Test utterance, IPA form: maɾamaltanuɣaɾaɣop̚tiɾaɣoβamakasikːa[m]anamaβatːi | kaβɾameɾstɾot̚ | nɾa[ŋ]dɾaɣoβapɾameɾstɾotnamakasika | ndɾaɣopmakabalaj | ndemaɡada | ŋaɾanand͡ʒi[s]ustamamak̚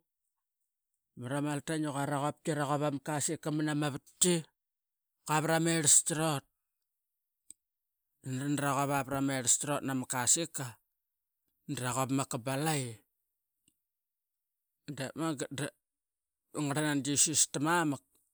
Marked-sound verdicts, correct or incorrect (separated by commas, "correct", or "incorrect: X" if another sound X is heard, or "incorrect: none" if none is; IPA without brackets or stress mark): correct, incorrect: n, correct